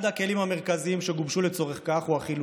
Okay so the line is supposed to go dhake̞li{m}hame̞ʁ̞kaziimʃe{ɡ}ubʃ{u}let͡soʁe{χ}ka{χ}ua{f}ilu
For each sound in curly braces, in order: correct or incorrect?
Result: correct, correct, correct, correct, correct, incorrect: χ

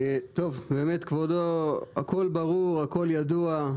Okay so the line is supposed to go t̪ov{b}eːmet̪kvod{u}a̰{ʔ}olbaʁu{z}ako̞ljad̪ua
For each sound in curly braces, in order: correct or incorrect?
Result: correct, incorrect: o, incorrect: k, incorrect: ʁ

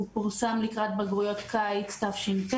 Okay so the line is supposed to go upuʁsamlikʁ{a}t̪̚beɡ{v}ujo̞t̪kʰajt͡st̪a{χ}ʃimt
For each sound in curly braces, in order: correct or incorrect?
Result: correct, incorrect: ʁ, incorrect: f

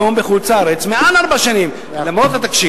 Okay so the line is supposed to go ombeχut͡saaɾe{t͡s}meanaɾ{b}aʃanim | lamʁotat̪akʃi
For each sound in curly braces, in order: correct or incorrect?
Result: correct, correct

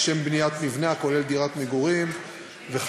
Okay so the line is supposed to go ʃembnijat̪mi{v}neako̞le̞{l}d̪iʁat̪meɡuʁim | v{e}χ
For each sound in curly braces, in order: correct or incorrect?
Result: correct, correct, correct

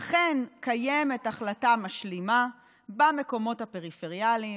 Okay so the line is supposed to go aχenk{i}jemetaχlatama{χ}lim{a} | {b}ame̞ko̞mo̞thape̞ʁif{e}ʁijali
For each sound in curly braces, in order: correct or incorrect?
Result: incorrect: a, incorrect: ʃ, correct, correct, correct

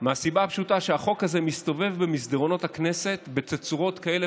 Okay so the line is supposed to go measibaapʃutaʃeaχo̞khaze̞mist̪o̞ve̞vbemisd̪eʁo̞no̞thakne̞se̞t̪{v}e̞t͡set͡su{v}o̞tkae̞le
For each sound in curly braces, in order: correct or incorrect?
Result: incorrect: b, incorrect: ʁ

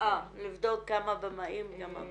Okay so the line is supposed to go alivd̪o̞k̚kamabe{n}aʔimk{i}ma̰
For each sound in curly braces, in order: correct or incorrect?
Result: incorrect: m, incorrect: a

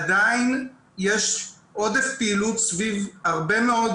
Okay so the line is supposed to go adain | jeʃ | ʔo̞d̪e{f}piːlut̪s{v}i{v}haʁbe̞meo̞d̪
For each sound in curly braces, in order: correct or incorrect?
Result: correct, correct, correct

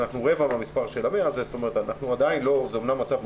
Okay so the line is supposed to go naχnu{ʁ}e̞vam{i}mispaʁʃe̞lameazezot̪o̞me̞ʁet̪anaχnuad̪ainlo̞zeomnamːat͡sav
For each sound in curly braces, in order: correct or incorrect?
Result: correct, incorrect: a

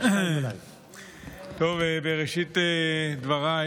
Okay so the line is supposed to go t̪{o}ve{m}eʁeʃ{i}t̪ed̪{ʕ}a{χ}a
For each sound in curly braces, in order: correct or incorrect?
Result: correct, incorrect: b, correct, incorrect: v, incorrect: ʁ

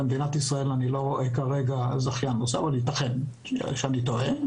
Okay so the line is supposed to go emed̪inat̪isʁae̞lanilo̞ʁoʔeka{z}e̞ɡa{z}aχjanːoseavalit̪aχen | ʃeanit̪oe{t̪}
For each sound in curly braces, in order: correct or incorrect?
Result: incorrect: ʁ, correct, incorrect: none

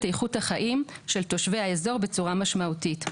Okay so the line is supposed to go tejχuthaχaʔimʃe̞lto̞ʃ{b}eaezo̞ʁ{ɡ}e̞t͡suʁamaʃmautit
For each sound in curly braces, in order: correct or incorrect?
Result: incorrect: v, incorrect: b

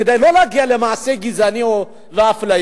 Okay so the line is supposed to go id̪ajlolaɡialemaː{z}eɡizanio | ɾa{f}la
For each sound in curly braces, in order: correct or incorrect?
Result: incorrect: s, correct

